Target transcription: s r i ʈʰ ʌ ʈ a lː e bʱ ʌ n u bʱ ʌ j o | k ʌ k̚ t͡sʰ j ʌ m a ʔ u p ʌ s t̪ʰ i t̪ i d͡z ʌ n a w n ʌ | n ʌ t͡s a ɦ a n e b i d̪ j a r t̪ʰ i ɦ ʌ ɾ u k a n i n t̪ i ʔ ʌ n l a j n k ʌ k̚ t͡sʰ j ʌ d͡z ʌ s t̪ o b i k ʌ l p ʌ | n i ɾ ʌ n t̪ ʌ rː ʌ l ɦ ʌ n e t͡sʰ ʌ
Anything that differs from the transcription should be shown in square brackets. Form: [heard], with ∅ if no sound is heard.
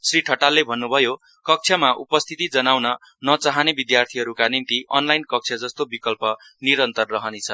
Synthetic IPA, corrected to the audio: s r i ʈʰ ʌ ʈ a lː e bʱ ʌ [nː] u bʱ ʌ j o | k ʌ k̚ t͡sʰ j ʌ m a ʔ u p ʌ s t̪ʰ i t̪ i d͡z ʌ n a w n ʌ | n ʌ t͡s a ɦ a n e b i d̪ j a r t̪ʰ i ɦ ʌ ɾ u k a n i n t̪ i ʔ ʌ n l a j n k ʌ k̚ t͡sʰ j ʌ d͡z ʌ s t̪ o b i k ʌ l p ʌ | n i ɾ ʌ n t̪ ʌ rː ʌ [∅] ɦ ʌ n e t͡sʰ ʌ